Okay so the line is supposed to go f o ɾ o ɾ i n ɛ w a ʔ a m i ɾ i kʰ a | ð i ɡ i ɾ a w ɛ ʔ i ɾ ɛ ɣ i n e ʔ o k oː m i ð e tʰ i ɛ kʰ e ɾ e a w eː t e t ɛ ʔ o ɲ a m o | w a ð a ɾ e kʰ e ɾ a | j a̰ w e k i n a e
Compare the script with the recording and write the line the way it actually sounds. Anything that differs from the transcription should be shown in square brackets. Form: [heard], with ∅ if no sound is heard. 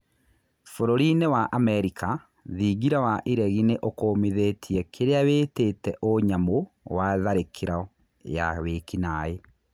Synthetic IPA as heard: f o ɾ o ɾ i n [e] w a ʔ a m [ɛ] ɾ i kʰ a | ð i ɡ i ɾ a w [a] ʔ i ɾ ɛ ɣ i n e ʔ o k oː m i ð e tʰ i ɛ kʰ e ɾ e a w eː t e t ɛ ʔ o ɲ a m o | w a ð a ɾ e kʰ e ɾ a | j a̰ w e k i n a e